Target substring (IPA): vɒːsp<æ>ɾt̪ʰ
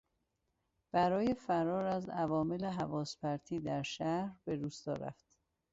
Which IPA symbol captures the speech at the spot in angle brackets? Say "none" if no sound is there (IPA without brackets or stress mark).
æ